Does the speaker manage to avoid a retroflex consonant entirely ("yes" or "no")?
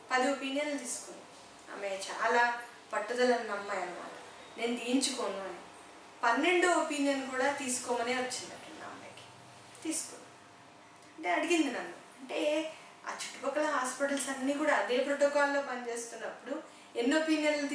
no